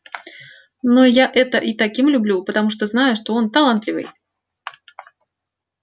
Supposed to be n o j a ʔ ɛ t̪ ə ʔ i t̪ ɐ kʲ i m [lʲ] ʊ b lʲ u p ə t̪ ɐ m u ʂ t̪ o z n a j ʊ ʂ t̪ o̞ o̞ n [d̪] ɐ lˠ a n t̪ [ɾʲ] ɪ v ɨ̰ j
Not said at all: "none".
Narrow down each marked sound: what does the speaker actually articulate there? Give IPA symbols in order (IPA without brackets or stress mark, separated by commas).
lʲ, t̪, lʲ